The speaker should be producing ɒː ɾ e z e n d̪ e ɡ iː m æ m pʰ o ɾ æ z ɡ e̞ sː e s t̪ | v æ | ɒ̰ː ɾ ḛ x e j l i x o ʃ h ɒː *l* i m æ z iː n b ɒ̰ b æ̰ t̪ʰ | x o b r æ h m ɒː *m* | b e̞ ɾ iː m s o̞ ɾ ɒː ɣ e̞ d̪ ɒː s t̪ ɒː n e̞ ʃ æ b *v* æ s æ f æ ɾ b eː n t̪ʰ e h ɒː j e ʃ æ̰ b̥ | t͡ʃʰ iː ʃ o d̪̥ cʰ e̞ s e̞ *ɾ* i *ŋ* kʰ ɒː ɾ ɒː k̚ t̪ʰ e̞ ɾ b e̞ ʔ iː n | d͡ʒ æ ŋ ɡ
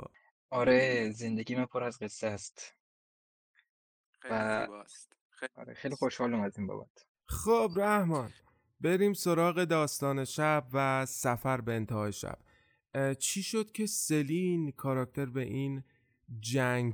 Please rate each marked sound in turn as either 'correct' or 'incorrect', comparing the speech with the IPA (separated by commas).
correct, incorrect, correct, incorrect, incorrect